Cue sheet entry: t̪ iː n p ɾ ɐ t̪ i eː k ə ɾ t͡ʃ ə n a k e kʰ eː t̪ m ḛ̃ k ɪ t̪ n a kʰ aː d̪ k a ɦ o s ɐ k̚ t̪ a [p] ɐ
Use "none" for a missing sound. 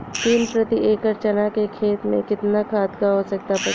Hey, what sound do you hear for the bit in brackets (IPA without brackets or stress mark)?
p